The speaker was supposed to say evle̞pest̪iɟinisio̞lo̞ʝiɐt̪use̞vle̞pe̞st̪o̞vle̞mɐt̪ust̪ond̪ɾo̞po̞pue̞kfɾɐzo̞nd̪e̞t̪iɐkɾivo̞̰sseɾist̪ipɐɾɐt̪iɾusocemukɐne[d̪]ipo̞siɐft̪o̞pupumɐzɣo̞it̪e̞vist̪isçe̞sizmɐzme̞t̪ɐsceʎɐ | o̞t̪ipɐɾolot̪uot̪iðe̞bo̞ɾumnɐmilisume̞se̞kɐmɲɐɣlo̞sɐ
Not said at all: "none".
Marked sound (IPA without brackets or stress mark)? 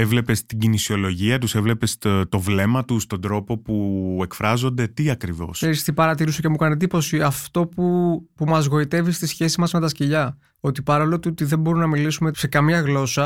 d̪